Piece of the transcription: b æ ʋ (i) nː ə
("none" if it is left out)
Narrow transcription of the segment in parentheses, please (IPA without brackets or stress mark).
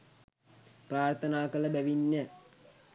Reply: i